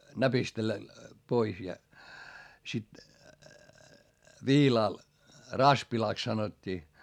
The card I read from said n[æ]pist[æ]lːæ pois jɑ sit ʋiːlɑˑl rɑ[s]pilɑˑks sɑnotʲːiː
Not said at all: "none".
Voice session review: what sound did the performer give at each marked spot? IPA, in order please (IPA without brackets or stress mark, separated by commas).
æ, e, s